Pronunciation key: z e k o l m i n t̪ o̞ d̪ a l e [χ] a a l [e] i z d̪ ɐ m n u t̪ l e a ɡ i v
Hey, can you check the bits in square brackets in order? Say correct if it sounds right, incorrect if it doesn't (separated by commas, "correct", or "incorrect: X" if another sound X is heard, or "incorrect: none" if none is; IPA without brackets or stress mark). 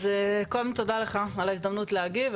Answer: correct, incorrect: a